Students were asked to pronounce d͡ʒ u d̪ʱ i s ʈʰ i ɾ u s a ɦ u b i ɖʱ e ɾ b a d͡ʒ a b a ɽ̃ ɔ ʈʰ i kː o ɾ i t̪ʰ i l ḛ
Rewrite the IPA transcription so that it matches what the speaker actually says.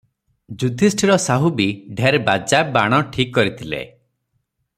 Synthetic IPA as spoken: d͡ʒ u d̪ʱ i s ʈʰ i ɾ ɔ s a ɦ u b i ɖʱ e ɾ b a d͡ʒ a b a ɽ̃ ɔ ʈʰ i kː ɔ ɾ i t̪ʰ i l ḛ

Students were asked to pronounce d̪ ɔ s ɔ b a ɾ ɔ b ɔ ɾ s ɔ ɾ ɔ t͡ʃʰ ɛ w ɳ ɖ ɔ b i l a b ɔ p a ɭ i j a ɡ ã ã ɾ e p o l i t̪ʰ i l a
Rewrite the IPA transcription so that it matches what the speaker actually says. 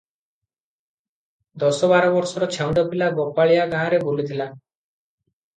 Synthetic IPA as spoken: d̪ ɔ s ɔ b a ɾ ɔ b ɔ ɾ s ɔ ɾ ɔ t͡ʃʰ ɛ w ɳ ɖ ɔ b i l a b ɔ p a ɭ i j a ɡ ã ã ɾ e b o l i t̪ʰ i l a

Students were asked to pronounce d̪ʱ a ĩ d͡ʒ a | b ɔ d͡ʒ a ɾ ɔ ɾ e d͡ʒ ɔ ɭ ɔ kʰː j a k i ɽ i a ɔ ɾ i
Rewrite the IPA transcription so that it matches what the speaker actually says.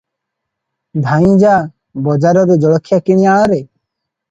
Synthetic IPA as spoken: d̪ʱ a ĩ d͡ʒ a | b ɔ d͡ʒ a ɾ ɔ ɾ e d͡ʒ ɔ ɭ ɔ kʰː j a k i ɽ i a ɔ ɾ e

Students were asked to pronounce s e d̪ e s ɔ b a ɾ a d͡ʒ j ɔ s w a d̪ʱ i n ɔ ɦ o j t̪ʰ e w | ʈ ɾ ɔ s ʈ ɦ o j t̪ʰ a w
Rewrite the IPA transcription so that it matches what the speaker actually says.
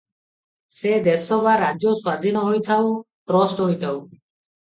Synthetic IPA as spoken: s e d̪ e s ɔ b a ɾ a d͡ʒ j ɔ s w a d̪ʱ i n ɔ ɦ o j t̪ʰ a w | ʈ ɾ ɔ s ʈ ɦ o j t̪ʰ a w

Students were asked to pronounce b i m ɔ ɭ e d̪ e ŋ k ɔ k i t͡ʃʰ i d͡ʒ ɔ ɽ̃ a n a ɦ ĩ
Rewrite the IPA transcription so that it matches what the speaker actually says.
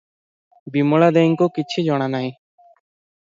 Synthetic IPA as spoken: b i m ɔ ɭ a d̪ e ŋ k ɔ k i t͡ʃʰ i d͡ʒ ɔ ɽ̃ a n a ɦ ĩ

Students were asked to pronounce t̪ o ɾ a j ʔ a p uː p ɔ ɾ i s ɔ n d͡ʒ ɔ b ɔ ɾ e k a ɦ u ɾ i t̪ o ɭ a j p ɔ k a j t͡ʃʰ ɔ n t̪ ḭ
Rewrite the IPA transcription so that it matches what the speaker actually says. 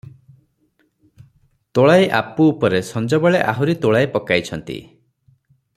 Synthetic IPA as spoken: t̪ o ɭ a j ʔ a p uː p ɔ ɾ e s ɔ n d͡ʒ ɔ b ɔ ɭ e ʔ a ɦ u ɾ i t̪ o ɭ a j p ɔ k a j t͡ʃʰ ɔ n t̪ ḭ

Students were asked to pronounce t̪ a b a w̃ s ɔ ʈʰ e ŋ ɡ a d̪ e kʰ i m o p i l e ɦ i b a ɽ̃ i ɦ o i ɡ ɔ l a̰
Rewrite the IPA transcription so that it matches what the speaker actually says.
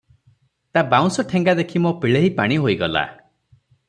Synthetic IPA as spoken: t̪ a b a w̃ s ɔ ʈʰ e ŋ ɡ a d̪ e kʰ i m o p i ɭ e ɦ i p a ɽ̃ i ɦ o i ɡ ɔ l a̰

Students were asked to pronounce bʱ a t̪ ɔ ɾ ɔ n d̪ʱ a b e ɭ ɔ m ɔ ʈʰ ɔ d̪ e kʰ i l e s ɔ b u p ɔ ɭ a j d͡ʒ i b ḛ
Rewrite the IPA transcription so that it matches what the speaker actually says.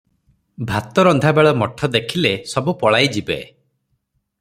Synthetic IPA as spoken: bʱ a t̪ ɔ ɾ ɔ n d̪ʱ a b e ɭ ɔ m ɔ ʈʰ ɔ d̪ e kʰ i l e s ɔ b u p ɔ ɭ a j d͡ʒ i b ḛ

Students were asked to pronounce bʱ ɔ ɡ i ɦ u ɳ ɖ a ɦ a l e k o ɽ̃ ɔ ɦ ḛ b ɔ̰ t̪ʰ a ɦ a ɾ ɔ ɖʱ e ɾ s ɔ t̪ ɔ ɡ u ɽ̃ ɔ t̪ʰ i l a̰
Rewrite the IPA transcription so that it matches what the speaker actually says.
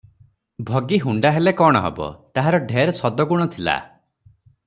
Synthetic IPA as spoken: bʱ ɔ ɡ i ɦ u ɳ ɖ a ɦ e l e k ɔ ɽ̃ ɔ ɦ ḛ b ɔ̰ t̪ a ɦ a ɾ ɔ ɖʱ e ɾ s ɔ d̪ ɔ ɡ u ɽ̃ ɔ t̪ʰ i l a̰

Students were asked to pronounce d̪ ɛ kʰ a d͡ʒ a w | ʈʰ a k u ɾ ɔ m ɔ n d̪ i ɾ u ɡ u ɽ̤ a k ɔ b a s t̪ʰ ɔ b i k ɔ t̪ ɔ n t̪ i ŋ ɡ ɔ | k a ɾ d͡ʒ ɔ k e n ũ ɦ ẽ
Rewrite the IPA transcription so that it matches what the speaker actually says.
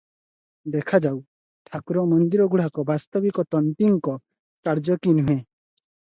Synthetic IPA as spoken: d̪ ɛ kʰ a d͡ʒ a w | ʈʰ a k u ɾ ɔ m ɔ n d̪ i ɾ ɔ ɡ u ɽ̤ a k ɔ b a s t̪ ɔ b i k ɔ t̪ ɔ n t̪ i ŋ k ɔ | k a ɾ d͡ʒ ɔ k i n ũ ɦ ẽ

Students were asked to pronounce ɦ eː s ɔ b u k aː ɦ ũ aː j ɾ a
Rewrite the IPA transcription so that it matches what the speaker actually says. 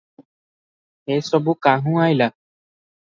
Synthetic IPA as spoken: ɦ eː s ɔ b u k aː ɦ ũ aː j l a

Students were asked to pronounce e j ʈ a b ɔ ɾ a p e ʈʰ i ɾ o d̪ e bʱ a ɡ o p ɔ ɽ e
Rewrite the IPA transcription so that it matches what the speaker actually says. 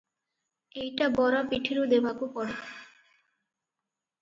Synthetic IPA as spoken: e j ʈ a b ɔ ɾ a p i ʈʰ i ɾ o d̪ e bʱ a k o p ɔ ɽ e

